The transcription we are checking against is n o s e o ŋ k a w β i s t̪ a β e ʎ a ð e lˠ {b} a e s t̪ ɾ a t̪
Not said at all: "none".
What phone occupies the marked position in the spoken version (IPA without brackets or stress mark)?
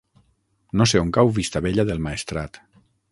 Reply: m